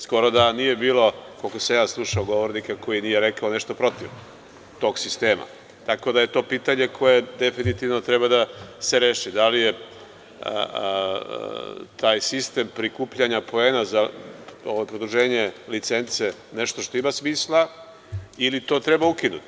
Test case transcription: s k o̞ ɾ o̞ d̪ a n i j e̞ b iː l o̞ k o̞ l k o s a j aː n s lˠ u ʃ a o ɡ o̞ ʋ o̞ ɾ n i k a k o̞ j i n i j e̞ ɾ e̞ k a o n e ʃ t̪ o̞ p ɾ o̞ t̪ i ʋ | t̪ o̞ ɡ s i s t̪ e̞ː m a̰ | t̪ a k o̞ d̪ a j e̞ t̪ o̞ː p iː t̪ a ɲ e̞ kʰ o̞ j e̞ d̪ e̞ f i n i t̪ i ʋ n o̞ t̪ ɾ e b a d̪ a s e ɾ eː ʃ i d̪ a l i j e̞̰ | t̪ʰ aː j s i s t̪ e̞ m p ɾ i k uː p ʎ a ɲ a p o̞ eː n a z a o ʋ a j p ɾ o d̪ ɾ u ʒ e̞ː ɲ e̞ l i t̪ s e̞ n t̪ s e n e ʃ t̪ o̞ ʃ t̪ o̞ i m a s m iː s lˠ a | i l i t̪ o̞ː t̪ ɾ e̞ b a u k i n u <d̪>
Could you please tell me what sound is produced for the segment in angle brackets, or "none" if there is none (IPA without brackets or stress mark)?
t̪